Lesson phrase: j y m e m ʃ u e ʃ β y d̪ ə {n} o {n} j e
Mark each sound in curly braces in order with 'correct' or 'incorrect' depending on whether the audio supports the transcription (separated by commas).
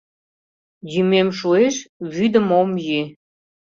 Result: incorrect, incorrect